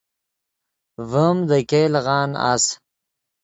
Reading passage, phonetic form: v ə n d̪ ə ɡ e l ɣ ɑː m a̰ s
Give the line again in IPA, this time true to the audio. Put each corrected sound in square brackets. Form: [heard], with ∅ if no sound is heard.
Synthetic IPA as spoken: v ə [m] d̪ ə [k] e l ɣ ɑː [n] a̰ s